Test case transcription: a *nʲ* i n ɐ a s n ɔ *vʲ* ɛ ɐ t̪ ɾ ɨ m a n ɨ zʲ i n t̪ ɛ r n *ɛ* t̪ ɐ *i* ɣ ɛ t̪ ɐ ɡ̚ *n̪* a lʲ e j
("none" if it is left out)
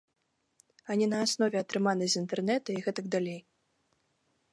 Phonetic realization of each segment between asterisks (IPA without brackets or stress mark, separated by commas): nʲ, vʲ, ɛ, i, d̪